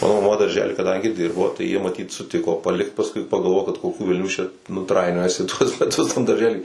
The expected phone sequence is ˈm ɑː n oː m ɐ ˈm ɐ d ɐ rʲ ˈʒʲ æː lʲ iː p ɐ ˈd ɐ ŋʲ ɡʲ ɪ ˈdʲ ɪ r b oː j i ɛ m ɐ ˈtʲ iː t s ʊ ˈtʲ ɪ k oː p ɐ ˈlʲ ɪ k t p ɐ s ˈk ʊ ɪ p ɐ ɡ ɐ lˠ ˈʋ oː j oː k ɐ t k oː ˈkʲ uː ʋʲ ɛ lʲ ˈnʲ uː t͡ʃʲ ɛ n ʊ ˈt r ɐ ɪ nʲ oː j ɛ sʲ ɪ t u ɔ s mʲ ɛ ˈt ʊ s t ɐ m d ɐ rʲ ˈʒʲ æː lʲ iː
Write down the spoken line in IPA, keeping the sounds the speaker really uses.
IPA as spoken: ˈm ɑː n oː m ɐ ˈm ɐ d ɐ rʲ ˈʒʲ æː lʲ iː k ɐ ˈd ɐ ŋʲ ɡʲ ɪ ˈdʲ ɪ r b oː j i ɛ m ɐ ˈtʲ iː t s ʊ ˈtʲ ɪ k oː p ɐ ˈlʲ ɪ k t p ɐ s ˈk ʊ ɪ p ɐ ɡ ɐ lˠ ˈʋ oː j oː k ɐ t k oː ˈkʲ uː ʋʲ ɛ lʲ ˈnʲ uː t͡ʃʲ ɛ n ʊ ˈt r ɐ ɪ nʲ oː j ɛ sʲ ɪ t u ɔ s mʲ ɛ ˈt ʊ s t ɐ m d ɐ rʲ ˈʒʲ æː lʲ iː